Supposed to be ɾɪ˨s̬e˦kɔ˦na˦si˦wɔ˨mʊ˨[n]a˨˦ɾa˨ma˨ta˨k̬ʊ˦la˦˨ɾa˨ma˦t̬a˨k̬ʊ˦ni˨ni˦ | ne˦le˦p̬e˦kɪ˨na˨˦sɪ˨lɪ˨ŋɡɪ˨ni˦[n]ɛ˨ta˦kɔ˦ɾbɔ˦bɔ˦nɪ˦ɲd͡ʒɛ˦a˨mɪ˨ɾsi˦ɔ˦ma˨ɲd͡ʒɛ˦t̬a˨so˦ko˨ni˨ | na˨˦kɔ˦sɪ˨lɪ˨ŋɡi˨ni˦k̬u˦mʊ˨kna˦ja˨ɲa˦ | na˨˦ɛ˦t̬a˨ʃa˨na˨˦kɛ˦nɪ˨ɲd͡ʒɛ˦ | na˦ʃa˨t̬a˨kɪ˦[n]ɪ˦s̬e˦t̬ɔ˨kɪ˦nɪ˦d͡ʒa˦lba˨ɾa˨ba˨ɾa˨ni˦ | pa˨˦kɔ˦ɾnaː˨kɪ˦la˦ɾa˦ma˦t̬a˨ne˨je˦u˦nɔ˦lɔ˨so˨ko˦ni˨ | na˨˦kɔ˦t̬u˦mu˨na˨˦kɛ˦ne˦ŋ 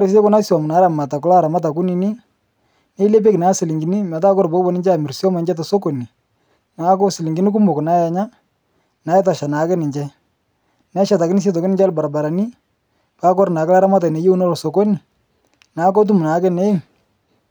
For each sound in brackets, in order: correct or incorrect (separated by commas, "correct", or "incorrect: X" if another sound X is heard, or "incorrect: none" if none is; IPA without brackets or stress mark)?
correct, incorrect: m, correct